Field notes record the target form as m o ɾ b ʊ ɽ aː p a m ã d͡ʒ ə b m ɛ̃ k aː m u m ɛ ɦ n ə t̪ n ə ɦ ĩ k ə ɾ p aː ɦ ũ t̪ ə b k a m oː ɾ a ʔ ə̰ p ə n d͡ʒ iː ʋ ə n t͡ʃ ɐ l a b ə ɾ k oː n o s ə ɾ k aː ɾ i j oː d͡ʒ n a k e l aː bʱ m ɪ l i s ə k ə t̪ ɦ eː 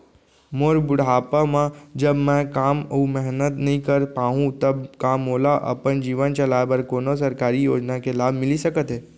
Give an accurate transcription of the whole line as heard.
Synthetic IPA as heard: m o ɾ b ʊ ɽ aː p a m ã d͡ʒ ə b m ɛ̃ k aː m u m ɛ ɦ n ə t̪ n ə ɦ ĩ k ə ɾ p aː ɦ ũ t̪ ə b k a m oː l a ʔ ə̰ p ə n d͡ʒ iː ʋ ə n t͡ʃ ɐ l a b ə ɾ k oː n o s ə ɾ k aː ɾ i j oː d͡ʒ n a k e l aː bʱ m ɪ l i s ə k ə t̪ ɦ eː